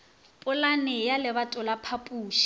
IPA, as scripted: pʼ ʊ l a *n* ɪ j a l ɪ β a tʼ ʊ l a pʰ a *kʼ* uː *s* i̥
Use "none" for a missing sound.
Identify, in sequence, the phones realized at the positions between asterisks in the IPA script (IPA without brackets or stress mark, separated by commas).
n, pʼ, ʃ